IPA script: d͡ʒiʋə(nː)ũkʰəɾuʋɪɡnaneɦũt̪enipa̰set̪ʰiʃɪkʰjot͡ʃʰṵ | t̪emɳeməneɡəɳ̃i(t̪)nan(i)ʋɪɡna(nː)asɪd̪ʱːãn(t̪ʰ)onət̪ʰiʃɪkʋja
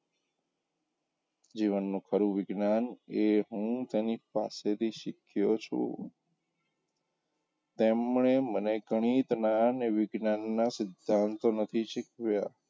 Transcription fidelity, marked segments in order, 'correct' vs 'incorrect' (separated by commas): correct, correct, incorrect, correct, incorrect